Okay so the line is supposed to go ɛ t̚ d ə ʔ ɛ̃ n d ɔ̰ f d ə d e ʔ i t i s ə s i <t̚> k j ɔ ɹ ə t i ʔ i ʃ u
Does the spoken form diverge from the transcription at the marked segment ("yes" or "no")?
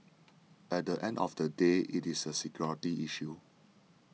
yes